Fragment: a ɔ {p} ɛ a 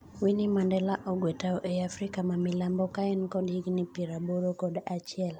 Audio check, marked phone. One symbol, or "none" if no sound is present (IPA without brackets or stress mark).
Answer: ʔ